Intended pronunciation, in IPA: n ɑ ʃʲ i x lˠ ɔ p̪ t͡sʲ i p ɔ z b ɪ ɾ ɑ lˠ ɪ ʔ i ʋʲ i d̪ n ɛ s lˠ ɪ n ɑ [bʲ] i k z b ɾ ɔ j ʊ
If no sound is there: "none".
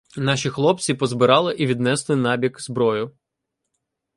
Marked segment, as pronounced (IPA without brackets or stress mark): bʲ